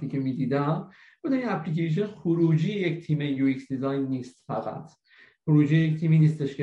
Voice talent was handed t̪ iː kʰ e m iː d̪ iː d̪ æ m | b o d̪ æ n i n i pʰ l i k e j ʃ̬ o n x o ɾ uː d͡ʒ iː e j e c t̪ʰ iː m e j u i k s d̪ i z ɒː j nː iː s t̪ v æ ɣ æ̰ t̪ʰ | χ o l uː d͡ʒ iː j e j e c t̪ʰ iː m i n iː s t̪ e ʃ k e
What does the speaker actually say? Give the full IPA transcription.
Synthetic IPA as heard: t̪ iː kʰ e m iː d̪ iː d̪ æ m | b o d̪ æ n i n æ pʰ l i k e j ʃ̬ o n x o ɾ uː d͡ʒ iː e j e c t̪ʰ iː m e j u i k s d̪ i z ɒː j nː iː s t̪ f æ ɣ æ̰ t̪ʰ | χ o ɾ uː d͡ʒ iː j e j e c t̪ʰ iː m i n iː s t̪ e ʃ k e